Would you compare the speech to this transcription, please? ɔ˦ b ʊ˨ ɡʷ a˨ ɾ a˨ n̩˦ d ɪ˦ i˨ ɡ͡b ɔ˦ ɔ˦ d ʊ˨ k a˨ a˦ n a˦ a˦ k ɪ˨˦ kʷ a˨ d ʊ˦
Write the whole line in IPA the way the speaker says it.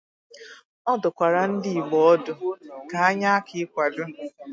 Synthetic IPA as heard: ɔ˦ d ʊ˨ kʷ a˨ ɾ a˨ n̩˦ d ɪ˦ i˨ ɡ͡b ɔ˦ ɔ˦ d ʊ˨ k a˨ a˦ ɲ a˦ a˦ k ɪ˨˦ kʷ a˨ d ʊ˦